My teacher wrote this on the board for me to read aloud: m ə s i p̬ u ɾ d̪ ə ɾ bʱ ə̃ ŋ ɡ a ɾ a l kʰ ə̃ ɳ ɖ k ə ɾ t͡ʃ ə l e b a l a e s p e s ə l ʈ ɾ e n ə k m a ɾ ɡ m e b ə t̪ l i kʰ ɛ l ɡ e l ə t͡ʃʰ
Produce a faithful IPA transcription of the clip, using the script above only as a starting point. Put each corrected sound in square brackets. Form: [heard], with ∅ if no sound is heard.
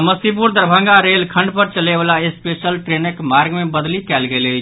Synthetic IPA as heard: m ə s i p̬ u ɾ d̪ ə ɾ bʱ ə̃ ŋ ɡ a ɾ [e] l kʰ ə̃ ɳ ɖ [p] ə ɾ t͡ʃ ə l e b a l a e s p e s ə l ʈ ɾ e n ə k m a ɾ ɡ m e b ə [d̪] l i [k] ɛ l ɡ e l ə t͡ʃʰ